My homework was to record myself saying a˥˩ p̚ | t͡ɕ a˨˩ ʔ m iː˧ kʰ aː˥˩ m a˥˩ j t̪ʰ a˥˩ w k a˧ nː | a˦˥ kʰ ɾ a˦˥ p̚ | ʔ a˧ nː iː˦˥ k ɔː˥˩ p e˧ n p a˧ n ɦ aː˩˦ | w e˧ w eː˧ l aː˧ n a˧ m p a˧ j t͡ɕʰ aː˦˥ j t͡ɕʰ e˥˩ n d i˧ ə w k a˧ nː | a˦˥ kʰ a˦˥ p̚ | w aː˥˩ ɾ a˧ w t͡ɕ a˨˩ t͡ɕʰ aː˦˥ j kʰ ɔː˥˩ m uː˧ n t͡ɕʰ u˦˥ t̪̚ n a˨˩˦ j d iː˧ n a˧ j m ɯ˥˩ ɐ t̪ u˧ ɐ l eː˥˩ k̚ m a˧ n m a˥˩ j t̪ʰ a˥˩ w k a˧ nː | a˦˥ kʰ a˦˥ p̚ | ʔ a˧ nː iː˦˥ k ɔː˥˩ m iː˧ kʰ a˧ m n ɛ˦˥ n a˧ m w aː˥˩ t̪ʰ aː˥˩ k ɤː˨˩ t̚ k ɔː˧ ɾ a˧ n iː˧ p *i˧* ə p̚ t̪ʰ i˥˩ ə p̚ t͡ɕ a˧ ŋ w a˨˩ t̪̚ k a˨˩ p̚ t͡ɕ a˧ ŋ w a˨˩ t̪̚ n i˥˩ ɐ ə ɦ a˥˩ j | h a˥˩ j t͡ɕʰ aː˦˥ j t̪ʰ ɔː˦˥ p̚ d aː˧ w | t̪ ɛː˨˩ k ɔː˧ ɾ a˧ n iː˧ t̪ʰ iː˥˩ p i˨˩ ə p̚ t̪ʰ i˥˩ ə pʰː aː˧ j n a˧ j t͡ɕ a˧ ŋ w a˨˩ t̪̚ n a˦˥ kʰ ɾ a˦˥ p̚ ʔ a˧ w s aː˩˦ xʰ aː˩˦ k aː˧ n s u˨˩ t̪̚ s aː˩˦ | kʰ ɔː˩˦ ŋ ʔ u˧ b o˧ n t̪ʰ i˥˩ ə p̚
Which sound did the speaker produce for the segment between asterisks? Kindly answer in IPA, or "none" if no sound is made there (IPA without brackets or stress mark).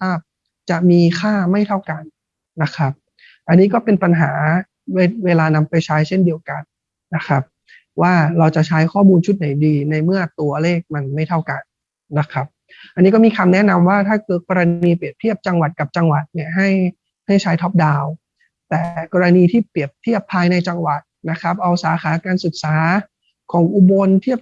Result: i˨˩